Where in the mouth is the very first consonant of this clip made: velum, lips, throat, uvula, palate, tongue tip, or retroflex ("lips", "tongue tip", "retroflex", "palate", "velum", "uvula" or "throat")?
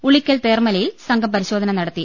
retroflex